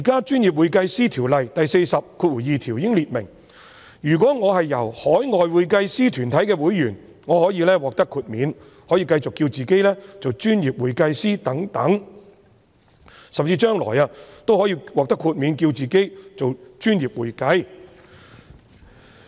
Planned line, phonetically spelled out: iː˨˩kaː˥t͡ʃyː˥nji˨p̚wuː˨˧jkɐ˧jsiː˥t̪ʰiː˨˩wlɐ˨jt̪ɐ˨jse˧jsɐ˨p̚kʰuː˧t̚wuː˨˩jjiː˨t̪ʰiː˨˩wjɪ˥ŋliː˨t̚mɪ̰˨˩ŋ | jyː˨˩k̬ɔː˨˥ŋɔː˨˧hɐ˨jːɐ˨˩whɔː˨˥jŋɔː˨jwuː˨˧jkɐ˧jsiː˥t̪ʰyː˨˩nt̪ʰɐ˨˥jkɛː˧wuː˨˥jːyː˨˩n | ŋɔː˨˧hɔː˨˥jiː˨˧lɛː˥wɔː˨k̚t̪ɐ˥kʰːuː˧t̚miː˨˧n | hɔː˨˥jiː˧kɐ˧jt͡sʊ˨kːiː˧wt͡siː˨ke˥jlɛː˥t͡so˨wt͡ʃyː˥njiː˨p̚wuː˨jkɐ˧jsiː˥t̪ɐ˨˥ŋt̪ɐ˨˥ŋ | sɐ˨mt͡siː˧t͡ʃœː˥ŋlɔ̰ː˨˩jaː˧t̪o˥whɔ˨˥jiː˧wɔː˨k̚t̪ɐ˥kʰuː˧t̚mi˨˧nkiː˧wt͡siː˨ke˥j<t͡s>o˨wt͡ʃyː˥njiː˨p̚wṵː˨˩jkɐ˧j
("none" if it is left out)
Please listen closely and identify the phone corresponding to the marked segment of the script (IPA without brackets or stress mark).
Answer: t͡s